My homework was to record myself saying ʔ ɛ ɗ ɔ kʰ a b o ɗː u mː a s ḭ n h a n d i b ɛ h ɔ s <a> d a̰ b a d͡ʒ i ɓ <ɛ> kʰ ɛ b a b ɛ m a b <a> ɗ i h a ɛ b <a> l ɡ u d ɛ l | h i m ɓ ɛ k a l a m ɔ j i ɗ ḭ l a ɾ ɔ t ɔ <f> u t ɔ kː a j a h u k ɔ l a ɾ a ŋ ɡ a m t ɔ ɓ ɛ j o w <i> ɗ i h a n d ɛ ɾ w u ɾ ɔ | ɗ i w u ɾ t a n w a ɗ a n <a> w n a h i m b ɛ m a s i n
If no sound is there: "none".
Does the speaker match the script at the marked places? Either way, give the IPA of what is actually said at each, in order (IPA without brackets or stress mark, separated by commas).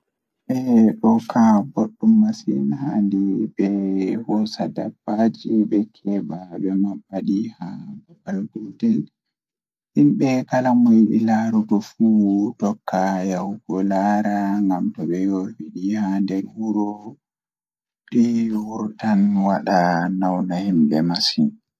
a, ɛ, a, a, f, i, a